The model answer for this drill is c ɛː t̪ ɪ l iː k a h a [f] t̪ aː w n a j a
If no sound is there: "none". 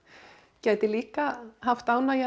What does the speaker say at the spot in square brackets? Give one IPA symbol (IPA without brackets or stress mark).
f